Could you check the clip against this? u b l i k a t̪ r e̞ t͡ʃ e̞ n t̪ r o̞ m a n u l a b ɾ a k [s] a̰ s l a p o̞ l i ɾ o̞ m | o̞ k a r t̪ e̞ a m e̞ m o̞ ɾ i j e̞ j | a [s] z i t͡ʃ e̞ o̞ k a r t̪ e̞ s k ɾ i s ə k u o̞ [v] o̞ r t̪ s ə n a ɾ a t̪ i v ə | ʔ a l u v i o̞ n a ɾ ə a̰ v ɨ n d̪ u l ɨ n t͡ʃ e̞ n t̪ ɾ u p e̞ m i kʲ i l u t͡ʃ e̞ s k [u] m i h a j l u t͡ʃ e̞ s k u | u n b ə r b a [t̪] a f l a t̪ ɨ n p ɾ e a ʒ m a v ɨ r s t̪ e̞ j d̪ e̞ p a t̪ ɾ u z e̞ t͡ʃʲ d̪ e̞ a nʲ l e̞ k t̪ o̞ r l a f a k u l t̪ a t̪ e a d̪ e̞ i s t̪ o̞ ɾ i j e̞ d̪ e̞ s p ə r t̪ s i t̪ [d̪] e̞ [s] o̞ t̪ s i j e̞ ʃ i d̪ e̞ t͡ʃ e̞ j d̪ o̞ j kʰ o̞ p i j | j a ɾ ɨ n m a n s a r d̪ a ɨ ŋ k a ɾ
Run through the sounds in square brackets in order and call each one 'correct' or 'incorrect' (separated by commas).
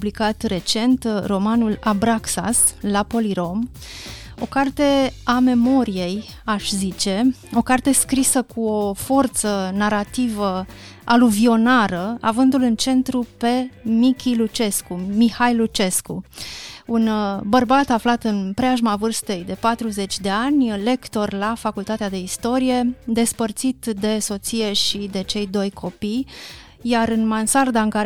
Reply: correct, incorrect, incorrect, correct, correct, correct, correct